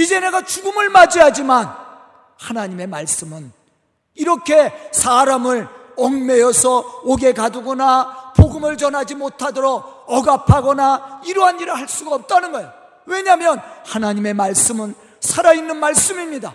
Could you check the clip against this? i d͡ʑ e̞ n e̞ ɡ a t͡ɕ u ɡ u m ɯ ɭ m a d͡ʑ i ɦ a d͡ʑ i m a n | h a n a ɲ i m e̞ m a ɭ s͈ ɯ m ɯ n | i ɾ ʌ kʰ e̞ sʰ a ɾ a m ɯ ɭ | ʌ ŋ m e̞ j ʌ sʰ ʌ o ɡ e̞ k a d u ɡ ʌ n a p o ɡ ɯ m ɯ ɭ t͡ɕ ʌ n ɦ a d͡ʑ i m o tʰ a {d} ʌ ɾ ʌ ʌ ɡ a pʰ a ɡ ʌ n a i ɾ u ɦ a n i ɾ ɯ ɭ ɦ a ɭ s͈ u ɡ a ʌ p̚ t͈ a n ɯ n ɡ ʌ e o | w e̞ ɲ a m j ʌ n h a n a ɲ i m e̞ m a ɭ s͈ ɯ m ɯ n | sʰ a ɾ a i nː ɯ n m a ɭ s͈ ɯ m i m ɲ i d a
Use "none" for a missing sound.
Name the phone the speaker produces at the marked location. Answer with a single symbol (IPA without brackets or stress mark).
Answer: d